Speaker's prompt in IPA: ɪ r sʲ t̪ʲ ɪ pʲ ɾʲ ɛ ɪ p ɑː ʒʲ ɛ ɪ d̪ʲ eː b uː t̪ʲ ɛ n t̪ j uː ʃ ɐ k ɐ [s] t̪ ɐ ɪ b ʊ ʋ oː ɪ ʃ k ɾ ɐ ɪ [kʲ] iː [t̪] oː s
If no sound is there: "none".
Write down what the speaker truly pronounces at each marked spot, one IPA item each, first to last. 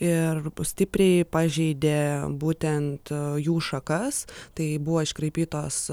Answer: s, pʲ, t̪

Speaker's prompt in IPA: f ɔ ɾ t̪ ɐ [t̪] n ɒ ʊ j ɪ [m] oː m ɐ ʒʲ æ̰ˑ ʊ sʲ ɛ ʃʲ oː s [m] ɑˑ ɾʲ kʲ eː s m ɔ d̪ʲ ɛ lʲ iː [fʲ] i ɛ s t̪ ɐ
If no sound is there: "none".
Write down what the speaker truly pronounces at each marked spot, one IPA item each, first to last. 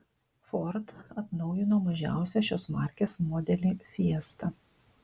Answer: t̪, n, m, fʲ

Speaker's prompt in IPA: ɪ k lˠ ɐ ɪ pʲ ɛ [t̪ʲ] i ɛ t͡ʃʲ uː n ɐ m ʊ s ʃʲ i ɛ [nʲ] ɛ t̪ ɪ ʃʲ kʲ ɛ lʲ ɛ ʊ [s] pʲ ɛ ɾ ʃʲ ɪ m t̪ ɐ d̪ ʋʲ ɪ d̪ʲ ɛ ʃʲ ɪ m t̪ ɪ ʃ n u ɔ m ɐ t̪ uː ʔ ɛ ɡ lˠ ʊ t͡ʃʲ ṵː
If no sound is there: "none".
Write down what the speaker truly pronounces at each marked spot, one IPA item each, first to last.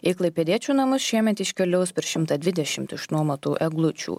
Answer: d̪ʲ, mʲ, s

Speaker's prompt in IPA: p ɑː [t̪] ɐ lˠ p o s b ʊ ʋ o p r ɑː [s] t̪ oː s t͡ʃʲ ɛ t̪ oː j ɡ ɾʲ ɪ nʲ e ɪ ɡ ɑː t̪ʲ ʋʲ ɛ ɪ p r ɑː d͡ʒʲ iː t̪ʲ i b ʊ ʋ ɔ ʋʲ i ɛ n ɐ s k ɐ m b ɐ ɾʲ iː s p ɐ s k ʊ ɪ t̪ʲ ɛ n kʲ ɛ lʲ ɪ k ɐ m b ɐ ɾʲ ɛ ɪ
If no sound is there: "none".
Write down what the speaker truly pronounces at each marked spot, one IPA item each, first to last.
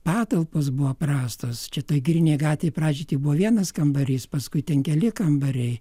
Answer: t̪, s

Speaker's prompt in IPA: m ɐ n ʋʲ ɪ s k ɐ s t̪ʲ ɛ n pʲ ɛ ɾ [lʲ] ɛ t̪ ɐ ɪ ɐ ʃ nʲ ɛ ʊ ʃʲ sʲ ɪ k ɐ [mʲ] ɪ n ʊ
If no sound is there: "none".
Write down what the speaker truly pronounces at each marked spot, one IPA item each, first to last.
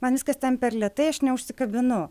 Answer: lʲ, bʲ

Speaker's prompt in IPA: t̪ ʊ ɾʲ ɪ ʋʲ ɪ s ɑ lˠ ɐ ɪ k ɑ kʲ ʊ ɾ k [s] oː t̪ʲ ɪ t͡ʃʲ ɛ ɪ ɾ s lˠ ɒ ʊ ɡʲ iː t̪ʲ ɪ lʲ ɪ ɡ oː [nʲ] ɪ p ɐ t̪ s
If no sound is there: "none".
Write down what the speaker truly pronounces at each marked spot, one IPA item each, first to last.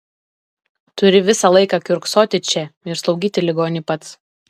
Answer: s, nʲ

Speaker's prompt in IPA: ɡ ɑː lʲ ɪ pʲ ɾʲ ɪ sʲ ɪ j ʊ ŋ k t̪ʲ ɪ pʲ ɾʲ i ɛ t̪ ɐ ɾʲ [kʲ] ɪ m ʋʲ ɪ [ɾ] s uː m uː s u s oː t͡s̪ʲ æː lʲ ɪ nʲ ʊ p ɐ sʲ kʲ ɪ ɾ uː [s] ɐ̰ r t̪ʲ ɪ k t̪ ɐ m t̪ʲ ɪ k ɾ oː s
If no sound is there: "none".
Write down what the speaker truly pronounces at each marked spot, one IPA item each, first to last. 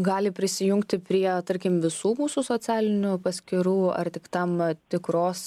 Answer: kʲ, none, none

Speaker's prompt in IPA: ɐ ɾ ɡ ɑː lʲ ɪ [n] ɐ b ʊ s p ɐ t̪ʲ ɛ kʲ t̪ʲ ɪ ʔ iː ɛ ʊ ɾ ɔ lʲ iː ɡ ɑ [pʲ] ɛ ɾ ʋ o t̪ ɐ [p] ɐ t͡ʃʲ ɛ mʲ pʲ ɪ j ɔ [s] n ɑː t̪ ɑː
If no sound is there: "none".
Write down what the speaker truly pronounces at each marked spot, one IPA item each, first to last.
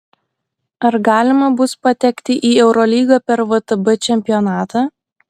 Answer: m, pʲ, b, none

